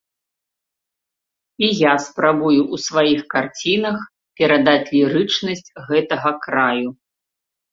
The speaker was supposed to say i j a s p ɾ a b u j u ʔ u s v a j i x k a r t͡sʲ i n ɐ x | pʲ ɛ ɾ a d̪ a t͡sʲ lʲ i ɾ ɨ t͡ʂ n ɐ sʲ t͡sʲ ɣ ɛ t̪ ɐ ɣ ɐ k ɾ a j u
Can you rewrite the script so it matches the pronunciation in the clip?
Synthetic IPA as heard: i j a s p ɾ a b u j u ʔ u s v a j i x k a r t͡sʲ i n ɐ x | pʲ ɛ ɾ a d̪ a t͡sʲ lʲ i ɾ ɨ t͡ʂ n ɐ sʲ t͡sʲ ɣ ɛ t̪ ɐ ɣ ɐ k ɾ a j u